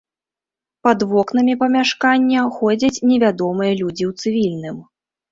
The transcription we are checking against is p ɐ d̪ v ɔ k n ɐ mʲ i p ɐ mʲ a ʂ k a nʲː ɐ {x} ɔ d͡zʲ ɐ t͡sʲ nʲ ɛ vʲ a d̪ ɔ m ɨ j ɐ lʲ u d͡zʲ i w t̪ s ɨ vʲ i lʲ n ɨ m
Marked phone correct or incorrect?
correct